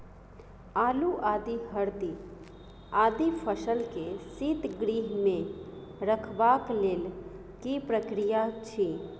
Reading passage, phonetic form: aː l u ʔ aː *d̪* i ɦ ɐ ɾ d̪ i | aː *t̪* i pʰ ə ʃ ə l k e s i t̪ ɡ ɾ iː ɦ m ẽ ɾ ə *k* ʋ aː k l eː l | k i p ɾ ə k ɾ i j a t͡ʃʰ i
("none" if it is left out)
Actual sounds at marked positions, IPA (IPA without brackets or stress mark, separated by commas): d̪, d̪, kʰ